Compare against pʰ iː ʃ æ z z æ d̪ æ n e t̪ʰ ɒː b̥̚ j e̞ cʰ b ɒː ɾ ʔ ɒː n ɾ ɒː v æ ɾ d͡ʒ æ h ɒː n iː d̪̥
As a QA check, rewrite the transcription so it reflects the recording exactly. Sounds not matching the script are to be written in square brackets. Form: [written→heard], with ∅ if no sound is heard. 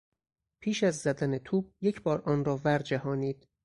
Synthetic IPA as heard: pʰ iː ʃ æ z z æ d̪ æ n e t̪ʰ [ɒː→uː] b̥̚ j e̞ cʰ b ɒː ɾ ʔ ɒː n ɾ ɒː v æ ɾ d͡ʒ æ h ɒː n iː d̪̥